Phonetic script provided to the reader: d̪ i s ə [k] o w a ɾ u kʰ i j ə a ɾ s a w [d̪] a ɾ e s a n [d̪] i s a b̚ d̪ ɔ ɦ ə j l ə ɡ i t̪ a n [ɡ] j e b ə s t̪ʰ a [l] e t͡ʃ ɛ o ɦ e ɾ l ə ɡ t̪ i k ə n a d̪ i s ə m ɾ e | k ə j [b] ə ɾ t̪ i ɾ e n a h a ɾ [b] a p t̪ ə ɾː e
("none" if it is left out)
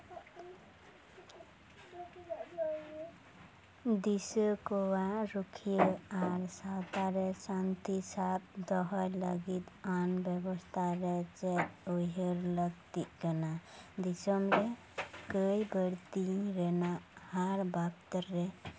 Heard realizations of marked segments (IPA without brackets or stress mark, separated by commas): k, t̪, t̪, b, ɾ, b, b